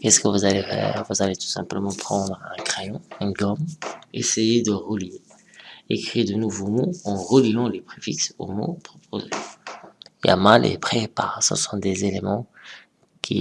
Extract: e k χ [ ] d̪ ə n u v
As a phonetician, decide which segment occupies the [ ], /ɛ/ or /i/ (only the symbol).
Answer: i